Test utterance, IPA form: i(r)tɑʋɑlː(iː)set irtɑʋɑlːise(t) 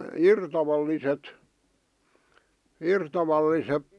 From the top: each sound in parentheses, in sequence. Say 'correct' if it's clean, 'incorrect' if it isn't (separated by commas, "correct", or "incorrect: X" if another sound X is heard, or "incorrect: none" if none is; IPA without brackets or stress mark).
correct, incorrect: i, incorrect: p